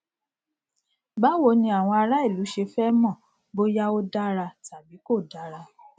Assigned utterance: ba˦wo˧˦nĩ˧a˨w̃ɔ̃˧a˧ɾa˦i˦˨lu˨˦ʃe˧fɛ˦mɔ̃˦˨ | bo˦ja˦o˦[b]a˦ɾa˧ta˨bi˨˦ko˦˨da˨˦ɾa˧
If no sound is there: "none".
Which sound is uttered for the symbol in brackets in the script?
d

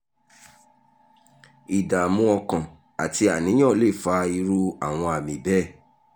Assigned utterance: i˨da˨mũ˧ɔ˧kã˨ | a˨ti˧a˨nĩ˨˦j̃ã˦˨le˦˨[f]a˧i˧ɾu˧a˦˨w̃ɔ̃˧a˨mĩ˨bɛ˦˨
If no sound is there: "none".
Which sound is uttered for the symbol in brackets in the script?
f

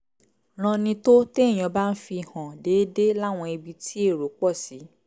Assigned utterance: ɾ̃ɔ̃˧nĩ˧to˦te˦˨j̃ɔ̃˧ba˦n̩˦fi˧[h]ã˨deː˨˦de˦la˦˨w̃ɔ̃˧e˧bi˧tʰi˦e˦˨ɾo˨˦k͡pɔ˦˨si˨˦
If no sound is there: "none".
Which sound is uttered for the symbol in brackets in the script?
h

